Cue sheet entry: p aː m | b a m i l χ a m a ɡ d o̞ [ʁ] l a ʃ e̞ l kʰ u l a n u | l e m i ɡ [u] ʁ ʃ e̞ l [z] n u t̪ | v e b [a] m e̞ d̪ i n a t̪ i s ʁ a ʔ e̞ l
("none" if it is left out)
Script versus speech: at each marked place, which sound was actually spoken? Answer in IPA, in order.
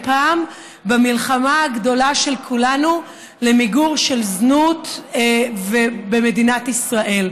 none, u, z, e

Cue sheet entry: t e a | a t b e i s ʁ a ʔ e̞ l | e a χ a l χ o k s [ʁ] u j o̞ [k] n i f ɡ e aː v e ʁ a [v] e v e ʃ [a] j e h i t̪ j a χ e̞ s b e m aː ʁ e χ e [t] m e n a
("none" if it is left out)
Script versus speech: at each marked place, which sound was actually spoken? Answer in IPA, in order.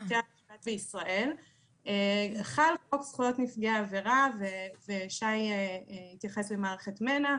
χ, t, v, a, t

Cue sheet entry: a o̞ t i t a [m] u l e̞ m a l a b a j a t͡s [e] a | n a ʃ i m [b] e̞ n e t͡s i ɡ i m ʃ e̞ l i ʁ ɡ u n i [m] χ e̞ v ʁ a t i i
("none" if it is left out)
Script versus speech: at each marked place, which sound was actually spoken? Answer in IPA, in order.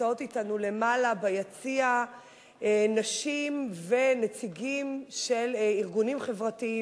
n, i, v, m

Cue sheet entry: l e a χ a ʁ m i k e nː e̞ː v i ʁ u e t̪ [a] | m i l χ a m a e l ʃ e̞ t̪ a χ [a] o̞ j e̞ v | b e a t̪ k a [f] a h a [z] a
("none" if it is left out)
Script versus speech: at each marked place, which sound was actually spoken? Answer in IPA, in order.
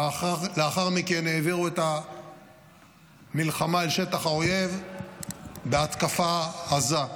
a, a, f, z

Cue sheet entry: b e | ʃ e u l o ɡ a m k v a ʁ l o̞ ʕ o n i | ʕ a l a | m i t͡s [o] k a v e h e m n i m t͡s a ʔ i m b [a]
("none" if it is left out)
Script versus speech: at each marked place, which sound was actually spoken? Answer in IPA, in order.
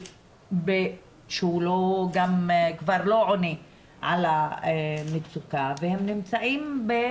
u, e

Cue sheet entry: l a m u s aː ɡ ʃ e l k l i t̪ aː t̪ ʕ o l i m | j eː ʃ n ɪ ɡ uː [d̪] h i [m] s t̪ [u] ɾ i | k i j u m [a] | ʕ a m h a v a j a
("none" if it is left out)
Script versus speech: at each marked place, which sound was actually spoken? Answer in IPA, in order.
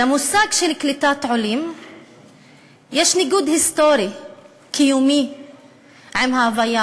d̪, none, o, i

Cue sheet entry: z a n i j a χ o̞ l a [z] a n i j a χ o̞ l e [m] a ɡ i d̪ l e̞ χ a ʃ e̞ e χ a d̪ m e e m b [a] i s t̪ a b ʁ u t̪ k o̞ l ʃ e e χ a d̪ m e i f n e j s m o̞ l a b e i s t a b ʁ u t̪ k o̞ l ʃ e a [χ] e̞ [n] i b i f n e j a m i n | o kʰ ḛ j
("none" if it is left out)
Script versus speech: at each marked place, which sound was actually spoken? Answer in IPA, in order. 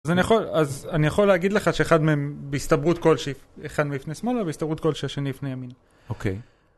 z, none, e, ʃ, n

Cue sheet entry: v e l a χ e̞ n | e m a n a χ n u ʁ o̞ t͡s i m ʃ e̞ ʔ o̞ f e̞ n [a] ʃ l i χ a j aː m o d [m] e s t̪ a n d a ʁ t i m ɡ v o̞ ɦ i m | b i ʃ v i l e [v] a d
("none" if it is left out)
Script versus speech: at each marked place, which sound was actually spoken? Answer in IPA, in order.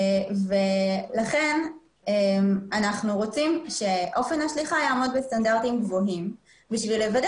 a, b, v

